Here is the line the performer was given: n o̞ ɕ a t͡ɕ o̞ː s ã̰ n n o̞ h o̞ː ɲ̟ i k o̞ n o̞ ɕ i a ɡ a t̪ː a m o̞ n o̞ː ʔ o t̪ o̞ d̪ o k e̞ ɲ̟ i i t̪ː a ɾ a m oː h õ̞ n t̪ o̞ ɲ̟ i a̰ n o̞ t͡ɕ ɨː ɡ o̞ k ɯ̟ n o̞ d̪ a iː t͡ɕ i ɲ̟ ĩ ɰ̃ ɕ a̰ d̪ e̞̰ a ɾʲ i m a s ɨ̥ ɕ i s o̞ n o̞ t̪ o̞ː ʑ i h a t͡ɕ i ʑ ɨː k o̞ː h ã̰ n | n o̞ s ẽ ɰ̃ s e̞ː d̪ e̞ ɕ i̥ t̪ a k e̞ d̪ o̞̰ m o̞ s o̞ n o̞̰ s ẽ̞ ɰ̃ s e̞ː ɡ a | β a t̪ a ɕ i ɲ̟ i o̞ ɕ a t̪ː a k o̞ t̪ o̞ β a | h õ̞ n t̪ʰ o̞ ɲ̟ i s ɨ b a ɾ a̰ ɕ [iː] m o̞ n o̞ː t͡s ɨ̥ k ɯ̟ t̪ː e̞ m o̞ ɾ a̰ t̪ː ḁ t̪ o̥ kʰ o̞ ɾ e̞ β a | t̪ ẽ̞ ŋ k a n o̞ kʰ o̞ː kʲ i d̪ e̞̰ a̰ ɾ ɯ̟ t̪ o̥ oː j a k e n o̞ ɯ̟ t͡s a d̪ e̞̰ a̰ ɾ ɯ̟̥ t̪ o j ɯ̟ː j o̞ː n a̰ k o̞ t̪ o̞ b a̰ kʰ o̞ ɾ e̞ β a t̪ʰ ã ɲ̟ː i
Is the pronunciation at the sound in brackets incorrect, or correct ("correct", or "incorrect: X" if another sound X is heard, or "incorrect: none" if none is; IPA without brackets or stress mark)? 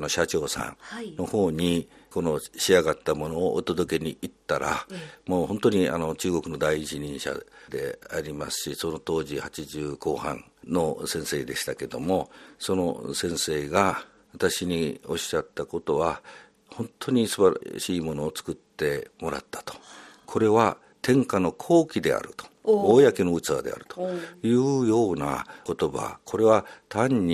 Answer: correct